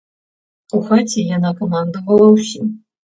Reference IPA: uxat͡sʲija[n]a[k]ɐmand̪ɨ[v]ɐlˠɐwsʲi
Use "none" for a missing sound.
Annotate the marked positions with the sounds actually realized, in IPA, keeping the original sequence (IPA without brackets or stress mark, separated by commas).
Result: n, k, v